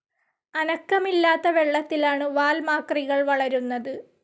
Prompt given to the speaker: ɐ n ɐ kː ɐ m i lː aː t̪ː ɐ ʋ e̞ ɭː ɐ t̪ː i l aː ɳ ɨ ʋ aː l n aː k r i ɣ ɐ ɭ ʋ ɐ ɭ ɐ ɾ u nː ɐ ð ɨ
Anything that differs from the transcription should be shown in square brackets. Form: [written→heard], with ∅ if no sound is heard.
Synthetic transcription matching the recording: ɐ n ɐ kː ɐ m i lː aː t̪ː ɐ ʋ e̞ ɭː ɐ t̪ː i l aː ɳ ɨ ʋ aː l [n→m] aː k r i ɣ ɐ ɭ ʋ ɐ ɭ ɐ ɾ u nː ɐ ð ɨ